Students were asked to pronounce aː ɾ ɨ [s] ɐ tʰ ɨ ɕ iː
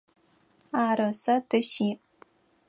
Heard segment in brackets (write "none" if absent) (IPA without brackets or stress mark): s